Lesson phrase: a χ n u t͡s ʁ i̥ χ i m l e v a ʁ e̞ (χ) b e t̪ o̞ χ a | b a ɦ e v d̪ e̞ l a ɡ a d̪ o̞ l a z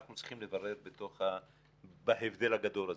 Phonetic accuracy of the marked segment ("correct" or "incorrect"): incorrect